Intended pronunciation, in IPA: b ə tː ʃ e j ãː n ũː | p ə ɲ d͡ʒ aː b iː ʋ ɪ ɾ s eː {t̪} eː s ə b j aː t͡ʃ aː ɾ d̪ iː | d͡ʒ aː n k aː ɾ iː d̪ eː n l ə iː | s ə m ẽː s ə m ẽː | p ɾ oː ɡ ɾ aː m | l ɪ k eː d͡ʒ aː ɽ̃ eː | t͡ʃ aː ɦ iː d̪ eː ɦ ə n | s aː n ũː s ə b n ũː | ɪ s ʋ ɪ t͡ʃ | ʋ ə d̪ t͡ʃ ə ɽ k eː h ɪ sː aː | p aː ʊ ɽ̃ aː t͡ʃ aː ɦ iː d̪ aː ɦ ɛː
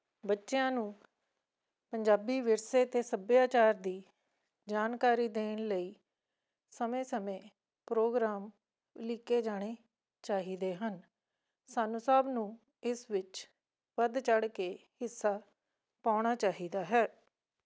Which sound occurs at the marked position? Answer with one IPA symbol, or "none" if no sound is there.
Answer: t̪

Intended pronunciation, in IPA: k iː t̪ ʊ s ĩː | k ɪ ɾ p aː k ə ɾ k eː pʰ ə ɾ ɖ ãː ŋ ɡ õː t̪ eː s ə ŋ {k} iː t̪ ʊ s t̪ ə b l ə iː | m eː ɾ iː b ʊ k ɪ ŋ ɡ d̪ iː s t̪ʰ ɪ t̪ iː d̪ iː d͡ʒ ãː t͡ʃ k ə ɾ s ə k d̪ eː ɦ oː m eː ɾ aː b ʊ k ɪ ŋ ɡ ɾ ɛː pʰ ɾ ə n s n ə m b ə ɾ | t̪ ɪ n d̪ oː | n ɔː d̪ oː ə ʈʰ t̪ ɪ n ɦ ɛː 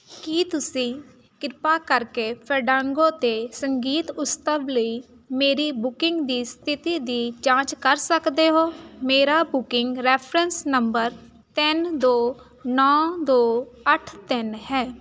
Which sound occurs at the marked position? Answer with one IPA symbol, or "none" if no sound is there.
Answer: ɡ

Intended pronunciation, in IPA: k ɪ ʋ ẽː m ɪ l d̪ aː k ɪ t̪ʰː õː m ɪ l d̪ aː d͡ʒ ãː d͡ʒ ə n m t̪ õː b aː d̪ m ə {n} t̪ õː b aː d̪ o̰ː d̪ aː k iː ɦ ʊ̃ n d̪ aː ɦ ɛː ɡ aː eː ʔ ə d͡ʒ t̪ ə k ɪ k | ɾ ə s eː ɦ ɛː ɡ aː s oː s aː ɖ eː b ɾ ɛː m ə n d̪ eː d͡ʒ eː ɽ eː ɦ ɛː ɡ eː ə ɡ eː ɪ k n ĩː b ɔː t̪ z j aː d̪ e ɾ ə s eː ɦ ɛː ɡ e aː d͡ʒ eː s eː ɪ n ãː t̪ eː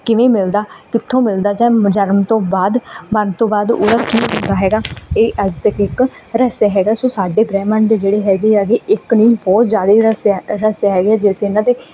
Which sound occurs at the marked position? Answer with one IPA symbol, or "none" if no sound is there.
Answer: n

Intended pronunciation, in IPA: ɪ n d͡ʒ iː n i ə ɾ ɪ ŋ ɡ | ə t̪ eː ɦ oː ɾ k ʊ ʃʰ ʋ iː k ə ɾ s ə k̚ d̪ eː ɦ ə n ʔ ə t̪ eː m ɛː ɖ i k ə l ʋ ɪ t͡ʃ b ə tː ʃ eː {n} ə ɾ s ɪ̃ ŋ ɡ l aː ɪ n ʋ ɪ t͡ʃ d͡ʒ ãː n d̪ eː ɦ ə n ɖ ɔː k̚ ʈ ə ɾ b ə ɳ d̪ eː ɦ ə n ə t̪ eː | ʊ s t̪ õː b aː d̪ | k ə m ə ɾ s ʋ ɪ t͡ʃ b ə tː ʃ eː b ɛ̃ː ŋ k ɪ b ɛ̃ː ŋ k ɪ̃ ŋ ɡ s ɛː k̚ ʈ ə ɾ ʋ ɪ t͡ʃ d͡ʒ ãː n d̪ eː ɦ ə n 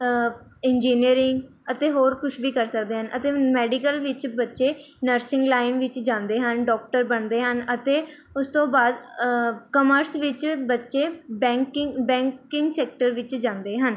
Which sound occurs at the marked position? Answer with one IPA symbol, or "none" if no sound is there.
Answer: n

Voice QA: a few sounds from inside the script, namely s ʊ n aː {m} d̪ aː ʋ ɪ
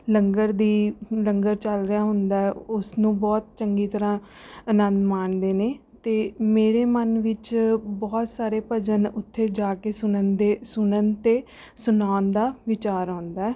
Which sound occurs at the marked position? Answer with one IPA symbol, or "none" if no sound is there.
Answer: n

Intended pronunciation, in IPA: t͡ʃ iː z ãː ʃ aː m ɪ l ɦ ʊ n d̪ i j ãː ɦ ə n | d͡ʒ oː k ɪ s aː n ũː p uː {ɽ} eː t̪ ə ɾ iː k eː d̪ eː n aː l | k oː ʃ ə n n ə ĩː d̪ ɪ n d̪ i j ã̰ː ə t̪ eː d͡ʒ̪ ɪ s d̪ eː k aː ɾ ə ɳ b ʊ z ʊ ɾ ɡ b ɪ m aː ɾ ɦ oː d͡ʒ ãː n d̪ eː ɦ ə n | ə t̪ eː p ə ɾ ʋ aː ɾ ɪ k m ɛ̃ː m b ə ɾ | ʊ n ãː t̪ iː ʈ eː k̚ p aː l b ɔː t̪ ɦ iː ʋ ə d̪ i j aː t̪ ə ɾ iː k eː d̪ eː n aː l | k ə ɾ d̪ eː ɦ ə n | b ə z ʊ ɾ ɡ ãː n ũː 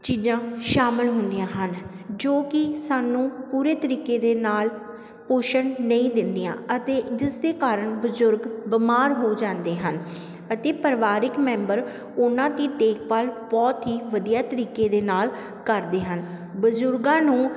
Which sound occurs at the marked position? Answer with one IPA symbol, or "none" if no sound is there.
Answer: ɾ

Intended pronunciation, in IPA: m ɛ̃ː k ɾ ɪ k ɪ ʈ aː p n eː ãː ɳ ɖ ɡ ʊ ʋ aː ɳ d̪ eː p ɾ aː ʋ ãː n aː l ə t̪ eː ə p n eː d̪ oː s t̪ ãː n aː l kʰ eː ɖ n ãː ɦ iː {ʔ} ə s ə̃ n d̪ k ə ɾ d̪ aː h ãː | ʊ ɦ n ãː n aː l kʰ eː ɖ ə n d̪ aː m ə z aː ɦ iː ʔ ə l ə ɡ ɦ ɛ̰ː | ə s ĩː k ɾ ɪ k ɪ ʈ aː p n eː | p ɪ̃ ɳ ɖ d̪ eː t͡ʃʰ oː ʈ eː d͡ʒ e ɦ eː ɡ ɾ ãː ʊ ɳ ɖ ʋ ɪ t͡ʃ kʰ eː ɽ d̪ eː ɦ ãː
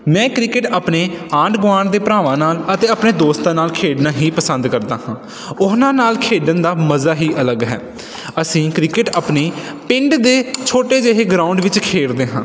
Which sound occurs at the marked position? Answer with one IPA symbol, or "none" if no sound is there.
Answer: p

